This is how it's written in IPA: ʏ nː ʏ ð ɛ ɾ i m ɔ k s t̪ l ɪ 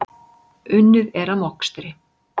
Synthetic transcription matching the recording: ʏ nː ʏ ð ɛ ɾ a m ɔ k s t̪ ɾ ɪ